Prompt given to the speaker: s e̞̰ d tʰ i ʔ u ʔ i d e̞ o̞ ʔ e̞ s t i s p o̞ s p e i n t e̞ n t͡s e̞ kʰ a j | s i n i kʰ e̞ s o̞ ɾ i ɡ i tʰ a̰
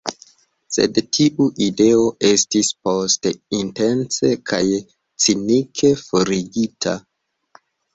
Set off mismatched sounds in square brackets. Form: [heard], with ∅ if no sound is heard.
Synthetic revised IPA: s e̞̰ d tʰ i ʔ u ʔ i d e̞ o̞ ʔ e̞ s t i s p o̞ s [t] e i n t e̞ n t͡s e̞ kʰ a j | [t͡s] i n i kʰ e̞ [f] o̞ ɾ i ɡ i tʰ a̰